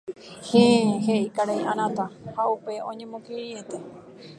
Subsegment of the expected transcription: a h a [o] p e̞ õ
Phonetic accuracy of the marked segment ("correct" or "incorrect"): incorrect